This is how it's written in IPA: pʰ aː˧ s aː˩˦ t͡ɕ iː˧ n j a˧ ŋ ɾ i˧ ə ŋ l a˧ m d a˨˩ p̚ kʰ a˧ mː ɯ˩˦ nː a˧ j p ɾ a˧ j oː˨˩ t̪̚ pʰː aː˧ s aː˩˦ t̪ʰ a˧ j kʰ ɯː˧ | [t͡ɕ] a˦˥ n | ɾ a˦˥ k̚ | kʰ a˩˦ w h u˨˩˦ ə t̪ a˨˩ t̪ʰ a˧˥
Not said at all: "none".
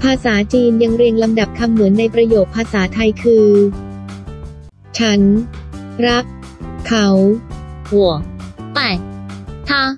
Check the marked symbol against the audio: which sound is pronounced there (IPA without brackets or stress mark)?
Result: t͡ɕʰ